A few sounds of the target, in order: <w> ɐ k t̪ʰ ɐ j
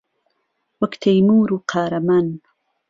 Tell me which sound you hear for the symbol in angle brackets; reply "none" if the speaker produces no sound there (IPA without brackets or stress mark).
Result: w